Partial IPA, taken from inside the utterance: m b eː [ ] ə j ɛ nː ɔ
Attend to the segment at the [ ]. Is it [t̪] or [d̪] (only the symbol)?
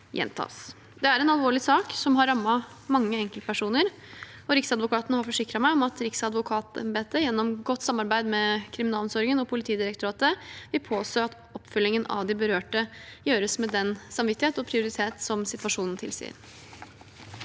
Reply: t̪